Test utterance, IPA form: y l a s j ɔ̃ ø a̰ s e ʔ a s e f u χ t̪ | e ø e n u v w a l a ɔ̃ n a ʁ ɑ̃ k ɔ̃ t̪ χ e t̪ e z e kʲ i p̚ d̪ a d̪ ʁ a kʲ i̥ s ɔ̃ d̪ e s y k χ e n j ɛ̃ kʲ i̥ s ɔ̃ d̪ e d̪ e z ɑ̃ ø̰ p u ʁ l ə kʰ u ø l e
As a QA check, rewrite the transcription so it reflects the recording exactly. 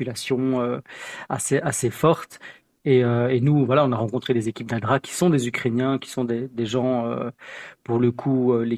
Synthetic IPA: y l a s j ɔ̃ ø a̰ s e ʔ a s e f ɔ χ t̪ | e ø e n u v w a l a ɔ̃ n a ʁ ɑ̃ k ɔ̃ t̪ χ e d̪ e z e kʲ i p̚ d̪ a d̪ ʁ a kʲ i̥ s ɔ̃ d̪ e z y k χ e n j ɛ̃ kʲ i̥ s ɔ̃ d̪ e d̪ e ʒ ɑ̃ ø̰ p u ʁ l ə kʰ u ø l e